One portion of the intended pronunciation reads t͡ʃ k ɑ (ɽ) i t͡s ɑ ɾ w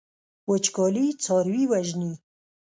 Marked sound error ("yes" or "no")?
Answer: yes